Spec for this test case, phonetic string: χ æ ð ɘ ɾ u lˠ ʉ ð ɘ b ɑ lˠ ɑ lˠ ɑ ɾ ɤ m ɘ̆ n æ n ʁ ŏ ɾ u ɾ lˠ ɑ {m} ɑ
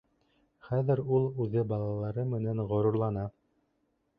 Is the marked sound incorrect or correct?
incorrect